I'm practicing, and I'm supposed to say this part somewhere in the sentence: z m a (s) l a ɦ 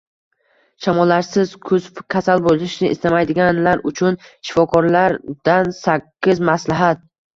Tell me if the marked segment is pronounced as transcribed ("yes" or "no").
yes